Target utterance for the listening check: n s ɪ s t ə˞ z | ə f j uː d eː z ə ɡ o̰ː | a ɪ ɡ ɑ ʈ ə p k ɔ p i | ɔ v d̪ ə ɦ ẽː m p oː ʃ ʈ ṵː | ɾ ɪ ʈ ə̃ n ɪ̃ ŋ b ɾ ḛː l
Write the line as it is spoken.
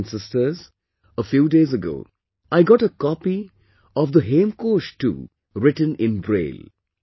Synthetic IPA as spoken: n s ɪ s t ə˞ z | ə f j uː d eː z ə ɡ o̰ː | a ɪ ɡ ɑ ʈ ə k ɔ p i | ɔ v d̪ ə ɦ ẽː m k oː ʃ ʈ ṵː | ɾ ɪ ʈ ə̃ n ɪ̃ n b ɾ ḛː l

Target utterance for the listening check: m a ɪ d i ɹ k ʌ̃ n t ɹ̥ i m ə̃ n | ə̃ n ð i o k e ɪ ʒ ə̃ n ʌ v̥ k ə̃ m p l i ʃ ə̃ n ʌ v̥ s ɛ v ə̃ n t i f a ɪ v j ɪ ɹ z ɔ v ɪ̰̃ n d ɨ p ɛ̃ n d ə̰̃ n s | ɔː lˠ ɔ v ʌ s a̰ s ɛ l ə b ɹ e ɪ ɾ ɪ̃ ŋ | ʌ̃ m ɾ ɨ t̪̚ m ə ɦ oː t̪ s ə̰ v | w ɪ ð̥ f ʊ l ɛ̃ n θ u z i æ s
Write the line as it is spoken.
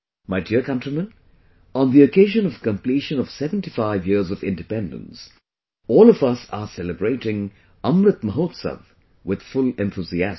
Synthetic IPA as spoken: m a ɪ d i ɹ k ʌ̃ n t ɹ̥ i m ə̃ n | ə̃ n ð i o k e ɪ ʒ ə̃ n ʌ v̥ k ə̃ m p l i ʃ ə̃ n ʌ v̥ s ɛ v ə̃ n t i f a ɪ v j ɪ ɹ z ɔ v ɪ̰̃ n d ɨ p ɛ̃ n d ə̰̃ n s | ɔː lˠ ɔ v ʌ s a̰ s ɛ l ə b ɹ e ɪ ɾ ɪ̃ ŋ | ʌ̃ m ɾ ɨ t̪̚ m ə ɦ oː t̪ s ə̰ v | w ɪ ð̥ f ʊ l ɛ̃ n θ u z i æ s

